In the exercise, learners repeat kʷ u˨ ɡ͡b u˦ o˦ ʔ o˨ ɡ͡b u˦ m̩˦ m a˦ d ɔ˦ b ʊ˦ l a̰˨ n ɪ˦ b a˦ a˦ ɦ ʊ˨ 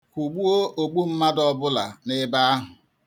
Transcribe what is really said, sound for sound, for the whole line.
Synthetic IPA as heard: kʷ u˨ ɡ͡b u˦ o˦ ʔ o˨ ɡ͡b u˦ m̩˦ m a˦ d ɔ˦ b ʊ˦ l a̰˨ n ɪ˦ b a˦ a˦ ɦ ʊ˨